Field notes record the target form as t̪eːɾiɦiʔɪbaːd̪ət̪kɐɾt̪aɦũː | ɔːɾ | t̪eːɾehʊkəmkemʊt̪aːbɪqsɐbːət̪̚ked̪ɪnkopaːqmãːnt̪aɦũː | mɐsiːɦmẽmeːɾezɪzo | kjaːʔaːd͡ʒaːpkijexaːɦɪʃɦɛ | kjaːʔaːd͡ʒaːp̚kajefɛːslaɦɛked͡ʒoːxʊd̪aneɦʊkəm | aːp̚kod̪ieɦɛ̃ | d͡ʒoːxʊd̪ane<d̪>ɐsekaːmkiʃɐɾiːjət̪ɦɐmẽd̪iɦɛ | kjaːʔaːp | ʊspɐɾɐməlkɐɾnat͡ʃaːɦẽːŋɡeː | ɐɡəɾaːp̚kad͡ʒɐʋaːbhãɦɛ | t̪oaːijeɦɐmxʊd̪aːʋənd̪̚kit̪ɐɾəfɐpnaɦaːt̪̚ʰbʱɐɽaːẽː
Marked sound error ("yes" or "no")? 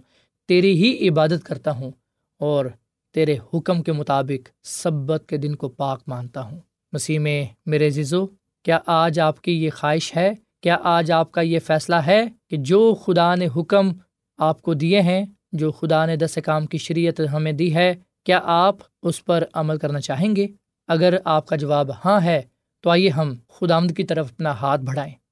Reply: no